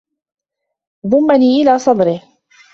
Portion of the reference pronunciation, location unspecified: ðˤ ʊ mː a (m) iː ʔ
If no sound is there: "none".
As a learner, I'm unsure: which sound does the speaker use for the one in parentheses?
n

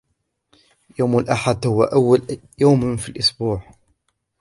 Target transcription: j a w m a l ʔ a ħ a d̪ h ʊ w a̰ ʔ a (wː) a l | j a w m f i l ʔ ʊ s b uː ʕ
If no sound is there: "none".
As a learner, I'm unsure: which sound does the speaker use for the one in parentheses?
wː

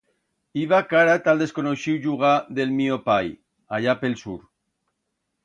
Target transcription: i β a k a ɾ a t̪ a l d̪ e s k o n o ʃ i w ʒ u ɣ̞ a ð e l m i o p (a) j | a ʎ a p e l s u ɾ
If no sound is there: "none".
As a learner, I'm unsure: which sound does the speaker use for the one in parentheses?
a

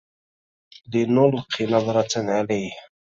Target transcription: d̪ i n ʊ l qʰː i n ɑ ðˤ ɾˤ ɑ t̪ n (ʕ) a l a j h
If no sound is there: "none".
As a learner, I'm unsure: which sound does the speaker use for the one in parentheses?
ʕ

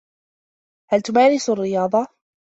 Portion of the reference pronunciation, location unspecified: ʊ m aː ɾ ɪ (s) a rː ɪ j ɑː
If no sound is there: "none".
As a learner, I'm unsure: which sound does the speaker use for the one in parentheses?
s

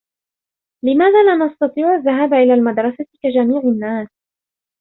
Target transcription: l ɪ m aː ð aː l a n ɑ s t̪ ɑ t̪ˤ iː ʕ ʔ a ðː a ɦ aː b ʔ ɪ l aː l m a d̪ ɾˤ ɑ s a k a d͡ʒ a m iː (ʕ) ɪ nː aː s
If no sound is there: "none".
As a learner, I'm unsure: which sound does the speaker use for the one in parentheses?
ʕ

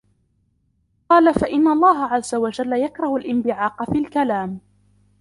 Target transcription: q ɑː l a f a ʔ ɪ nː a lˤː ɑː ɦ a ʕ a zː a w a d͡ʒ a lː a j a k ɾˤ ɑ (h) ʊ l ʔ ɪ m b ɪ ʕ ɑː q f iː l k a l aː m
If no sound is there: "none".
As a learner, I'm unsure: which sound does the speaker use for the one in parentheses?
h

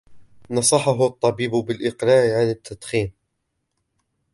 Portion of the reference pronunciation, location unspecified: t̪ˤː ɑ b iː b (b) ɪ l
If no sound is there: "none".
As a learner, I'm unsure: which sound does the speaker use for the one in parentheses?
b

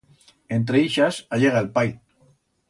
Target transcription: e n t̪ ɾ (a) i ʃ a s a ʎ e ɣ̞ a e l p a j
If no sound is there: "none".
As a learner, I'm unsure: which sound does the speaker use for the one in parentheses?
e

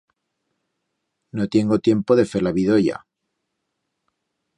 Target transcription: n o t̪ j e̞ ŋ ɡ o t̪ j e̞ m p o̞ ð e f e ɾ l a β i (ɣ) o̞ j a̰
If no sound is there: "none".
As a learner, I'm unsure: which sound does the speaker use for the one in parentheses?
ð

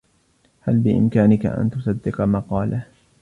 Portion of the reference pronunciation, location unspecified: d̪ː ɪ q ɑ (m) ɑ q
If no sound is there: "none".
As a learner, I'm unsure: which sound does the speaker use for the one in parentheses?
m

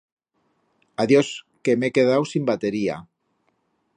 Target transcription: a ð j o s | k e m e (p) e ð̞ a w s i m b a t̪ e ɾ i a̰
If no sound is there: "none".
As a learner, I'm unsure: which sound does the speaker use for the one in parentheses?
k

